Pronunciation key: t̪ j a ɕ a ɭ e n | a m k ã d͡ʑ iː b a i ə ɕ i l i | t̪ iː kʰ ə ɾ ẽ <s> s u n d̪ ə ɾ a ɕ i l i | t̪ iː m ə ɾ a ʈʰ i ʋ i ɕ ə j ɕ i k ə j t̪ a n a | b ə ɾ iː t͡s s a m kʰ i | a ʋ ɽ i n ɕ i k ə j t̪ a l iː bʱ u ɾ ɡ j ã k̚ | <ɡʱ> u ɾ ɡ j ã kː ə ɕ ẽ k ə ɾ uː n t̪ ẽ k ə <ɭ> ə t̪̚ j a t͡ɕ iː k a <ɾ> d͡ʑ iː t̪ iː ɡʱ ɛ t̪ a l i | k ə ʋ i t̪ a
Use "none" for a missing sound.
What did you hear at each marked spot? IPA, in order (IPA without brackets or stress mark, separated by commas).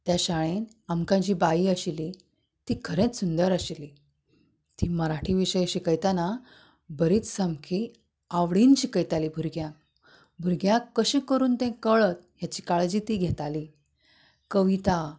t͡s, bʱ, ɭ, ɭ